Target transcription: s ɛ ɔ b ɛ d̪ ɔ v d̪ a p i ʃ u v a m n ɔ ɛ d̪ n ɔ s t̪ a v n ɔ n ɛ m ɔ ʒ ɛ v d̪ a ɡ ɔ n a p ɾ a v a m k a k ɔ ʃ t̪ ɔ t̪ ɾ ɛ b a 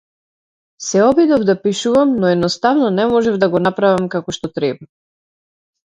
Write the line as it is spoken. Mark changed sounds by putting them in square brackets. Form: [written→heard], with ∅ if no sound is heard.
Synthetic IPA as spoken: s ɛ ɔ b [ɛ→i] d̪ ɔ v d̪ a p i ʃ u v a m n ɔ ɛ d̪ n ɔ s t̪ a v n ɔ n ɛ m ɔ ʒ ɛ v d̪ a ɡ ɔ n a p ɾ a v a m k a k ɔ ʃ t̪ ɔ t̪ ɾ ɛ b a